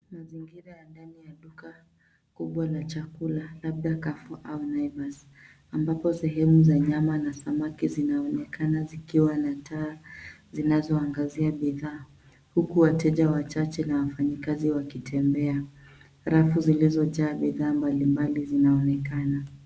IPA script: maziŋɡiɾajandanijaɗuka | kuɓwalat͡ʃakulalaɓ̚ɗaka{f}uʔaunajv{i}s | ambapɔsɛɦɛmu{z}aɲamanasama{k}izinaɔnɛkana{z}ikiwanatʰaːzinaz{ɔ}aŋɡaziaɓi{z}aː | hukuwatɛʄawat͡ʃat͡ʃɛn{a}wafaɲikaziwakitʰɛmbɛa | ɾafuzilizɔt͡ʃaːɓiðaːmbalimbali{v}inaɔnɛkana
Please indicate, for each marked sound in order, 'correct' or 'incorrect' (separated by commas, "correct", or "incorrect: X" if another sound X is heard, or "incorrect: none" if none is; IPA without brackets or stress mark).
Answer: correct, incorrect: a, correct, correct, correct, correct, incorrect: ð, correct, incorrect: z